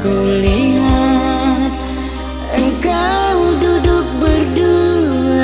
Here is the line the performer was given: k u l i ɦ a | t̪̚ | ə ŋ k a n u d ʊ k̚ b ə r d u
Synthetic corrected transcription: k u l i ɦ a | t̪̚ | ə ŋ k a d u d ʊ k̚ b ə r d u